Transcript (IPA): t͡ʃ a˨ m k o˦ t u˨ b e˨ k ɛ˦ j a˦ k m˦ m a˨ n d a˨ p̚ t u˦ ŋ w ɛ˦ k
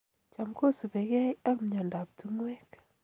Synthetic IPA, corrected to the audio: t͡ʃ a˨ m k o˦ s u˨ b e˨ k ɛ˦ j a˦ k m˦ ɲ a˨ n d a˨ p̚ t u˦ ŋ w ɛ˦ k